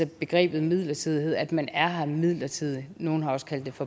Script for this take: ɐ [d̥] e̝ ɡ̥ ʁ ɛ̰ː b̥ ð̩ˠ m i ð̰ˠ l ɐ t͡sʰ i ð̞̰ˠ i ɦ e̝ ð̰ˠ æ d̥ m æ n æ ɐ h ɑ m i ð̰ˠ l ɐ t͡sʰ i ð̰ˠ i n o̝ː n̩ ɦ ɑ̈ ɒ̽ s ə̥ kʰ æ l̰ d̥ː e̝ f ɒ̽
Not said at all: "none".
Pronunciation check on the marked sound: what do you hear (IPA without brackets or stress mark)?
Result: b̥